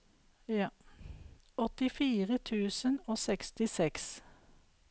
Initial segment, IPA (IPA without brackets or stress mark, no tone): ɔ